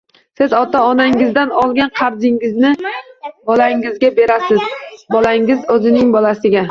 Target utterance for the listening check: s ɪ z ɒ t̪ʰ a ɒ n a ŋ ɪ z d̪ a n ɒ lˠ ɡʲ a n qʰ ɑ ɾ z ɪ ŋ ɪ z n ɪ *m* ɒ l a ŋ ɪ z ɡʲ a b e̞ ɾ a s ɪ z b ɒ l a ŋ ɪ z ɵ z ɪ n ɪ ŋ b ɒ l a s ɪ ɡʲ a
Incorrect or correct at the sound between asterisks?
incorrect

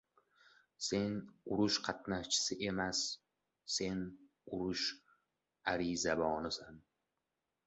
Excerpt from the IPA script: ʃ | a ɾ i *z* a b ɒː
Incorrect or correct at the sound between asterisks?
correct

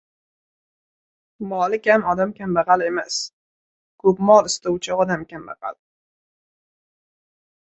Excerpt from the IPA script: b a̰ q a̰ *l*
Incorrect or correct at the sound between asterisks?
correct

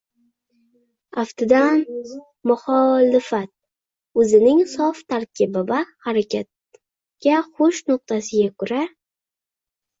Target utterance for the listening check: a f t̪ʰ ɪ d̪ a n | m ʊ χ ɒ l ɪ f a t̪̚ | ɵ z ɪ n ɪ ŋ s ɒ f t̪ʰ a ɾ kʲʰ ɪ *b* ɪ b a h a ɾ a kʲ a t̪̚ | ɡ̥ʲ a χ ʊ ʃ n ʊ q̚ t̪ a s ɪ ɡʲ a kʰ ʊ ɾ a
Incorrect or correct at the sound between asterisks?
correct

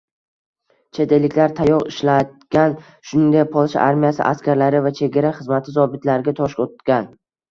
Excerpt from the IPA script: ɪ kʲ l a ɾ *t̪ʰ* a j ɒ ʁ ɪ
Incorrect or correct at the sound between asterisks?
correct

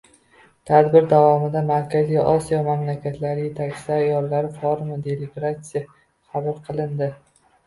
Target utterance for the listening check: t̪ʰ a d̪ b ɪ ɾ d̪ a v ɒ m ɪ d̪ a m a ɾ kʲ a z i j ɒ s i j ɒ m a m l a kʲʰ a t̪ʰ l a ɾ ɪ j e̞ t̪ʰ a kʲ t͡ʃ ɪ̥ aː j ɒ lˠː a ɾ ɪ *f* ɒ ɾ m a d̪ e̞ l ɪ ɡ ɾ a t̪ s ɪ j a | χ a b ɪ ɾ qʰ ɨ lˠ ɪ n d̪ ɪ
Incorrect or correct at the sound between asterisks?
correct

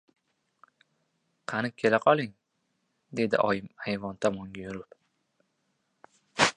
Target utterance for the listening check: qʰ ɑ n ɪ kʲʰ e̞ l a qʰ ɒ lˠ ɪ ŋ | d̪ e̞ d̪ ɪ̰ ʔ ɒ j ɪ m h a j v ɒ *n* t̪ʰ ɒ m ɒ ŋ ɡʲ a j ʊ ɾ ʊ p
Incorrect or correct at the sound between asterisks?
correct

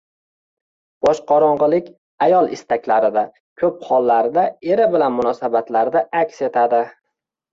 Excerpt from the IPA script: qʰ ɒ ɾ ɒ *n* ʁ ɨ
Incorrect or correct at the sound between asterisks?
incorrect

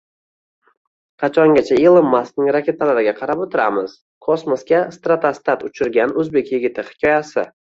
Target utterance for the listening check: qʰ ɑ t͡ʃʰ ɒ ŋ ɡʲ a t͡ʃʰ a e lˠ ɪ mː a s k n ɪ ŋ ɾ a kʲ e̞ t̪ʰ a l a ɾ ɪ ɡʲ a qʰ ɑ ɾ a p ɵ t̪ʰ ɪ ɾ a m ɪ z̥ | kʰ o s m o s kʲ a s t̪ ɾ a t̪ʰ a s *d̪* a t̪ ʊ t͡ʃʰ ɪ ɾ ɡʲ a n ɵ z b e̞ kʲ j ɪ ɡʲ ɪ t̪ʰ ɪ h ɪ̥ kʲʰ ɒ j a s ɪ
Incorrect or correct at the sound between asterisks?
incorrect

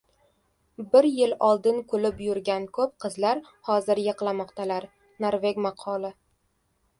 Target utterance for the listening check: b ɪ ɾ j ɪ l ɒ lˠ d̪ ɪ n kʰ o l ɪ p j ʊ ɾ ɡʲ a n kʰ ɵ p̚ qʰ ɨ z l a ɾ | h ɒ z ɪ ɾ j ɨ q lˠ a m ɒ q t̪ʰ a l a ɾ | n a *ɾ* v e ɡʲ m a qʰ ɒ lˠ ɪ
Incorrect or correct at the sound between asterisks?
correct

